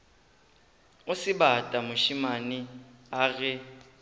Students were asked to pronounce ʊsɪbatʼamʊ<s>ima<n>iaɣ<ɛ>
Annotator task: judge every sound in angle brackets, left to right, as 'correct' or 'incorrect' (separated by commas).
incorrect, correct, correct